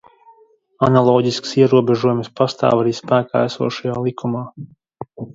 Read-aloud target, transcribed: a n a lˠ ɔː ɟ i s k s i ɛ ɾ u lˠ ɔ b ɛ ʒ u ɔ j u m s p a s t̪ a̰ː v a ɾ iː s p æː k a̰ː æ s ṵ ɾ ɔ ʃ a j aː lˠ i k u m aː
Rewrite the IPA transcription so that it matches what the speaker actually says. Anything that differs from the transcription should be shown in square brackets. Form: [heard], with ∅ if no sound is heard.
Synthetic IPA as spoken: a n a lˠ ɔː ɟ i s k s i ɛ ɾ u [∅] ɔ b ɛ ʒ u ɔ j u m s p a s t̪ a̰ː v a ɾ iː s p æː k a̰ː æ s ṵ [∅] ɔ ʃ a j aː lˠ i k u m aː